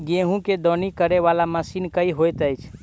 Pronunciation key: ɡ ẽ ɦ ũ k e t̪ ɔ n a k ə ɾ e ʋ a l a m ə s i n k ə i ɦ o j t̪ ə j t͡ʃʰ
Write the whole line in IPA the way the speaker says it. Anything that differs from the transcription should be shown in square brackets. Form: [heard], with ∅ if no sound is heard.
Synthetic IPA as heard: ɡ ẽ ɦ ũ k e [d̪] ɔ n [i] k ə ɾ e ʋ a l a m ə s i n k ə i ɦ o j t̪ ə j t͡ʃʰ